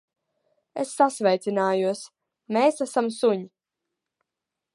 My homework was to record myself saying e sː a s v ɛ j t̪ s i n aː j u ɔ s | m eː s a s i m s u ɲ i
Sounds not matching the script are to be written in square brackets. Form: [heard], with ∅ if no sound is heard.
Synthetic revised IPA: e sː a s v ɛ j t̪ s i n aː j u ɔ s | m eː s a s [a] m s u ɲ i